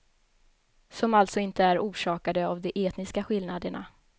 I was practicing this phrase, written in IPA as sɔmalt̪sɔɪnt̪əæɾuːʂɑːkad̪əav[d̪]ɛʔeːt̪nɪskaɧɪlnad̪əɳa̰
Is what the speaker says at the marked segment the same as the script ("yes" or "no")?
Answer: yes